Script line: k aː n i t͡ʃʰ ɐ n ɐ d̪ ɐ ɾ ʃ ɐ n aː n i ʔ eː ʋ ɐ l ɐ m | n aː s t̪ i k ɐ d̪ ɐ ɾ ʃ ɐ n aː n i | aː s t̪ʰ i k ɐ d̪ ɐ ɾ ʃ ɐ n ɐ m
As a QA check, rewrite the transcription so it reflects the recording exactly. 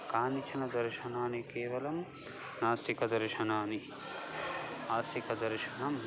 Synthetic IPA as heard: k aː n i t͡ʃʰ ɐ n ɐ d̪ ɐ ɾ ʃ ɐ n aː n i k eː ʋ ɐ l ɐ m | n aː s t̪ i k ɐ d̪ ɐ ɾ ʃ ɐ n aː n i | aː s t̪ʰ i k ɐ d̪ ɐ ɾ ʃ ɐ n ɐ m